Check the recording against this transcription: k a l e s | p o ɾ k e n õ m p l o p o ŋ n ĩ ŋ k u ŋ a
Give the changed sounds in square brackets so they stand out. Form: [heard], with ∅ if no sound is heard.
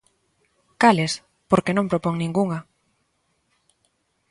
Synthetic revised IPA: k a l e s | p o ɾ k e n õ m p [ɾ] o p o ŋ n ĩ ŋ [ɡ] u ŋ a